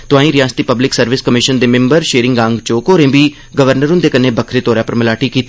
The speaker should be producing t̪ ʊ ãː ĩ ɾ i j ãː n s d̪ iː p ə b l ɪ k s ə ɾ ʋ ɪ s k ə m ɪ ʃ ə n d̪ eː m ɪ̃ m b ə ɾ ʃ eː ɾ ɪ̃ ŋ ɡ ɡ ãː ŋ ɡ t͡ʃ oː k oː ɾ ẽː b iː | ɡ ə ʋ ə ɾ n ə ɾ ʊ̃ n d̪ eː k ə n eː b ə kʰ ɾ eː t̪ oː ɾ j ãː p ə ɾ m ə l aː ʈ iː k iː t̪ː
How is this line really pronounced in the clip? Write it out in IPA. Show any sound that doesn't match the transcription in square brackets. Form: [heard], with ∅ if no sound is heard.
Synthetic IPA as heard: t̪ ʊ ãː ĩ ɾ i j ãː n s [t̪] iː p ə b l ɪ k s ə ɾ ʋ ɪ s k ə m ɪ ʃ ə n d̪ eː m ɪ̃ m b ə ɾ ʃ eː ɾ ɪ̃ ŋ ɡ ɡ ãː ŋ ɡ t͡ʃ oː k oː ɾ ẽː b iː | ɡ ə ʋ ə ɾ n ə ɾ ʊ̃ n d̪ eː k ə n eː b ə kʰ ɾ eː t̪ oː ɾ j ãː p ə ɾ m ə l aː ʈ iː k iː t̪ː